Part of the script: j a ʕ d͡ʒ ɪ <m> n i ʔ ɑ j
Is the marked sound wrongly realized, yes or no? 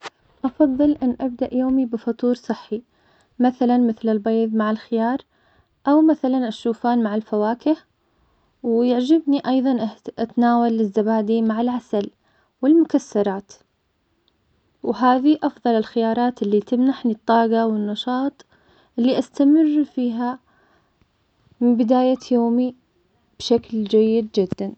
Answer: yes